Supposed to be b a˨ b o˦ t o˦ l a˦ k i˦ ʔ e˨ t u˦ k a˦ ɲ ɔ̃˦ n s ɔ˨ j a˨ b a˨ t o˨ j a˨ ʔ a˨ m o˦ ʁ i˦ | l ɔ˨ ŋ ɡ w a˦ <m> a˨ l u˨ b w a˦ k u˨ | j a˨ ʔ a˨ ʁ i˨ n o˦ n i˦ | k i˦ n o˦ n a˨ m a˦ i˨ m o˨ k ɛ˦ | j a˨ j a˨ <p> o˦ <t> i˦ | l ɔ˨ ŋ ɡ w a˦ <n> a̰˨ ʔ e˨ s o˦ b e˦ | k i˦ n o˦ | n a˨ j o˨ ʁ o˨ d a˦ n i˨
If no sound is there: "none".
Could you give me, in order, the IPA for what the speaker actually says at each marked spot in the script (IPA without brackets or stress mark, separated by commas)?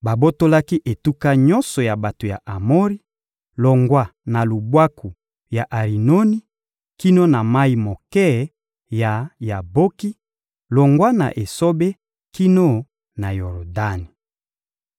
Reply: n, b, k, n